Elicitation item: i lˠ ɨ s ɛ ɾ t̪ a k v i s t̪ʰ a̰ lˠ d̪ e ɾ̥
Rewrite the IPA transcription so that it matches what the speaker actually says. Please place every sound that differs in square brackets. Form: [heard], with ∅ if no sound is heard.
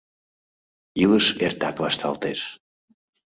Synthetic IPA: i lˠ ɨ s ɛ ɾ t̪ a k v [a] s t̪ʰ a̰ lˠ [t̪] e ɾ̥